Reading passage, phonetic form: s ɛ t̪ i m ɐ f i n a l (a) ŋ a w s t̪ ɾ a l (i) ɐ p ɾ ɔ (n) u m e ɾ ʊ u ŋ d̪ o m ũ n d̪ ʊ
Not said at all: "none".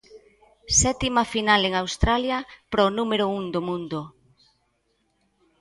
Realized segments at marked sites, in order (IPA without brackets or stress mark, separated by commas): e, j, n